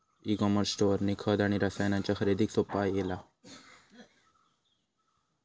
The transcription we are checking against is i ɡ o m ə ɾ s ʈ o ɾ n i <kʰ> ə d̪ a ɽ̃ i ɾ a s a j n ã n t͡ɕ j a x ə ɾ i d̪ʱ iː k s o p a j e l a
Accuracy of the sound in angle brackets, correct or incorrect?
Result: correct